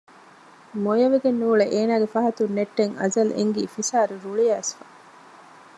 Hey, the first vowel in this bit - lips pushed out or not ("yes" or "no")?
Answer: yes